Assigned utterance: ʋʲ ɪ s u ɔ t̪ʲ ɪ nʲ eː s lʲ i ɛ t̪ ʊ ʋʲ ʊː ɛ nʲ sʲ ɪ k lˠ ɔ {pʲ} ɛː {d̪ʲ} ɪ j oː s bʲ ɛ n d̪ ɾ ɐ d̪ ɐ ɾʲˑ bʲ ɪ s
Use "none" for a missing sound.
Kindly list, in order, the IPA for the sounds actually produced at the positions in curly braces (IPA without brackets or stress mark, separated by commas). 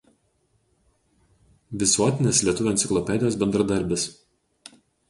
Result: pʲ, d̪ʲ